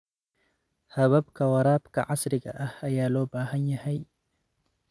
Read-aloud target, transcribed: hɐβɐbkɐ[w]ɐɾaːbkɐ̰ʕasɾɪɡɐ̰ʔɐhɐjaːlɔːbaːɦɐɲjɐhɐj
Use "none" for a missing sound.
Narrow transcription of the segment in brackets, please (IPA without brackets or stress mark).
w